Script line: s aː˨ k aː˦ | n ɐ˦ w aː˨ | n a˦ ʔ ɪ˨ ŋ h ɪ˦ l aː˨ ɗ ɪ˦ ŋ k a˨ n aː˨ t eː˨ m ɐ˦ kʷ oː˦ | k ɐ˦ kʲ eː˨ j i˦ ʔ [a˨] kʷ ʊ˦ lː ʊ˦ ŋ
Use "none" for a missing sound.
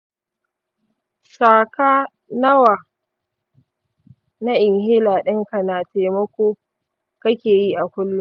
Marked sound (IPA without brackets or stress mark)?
a˨